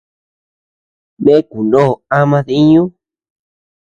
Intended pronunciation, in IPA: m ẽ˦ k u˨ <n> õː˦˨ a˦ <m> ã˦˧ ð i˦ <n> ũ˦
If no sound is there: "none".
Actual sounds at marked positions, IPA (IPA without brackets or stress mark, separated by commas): n, m, ɲ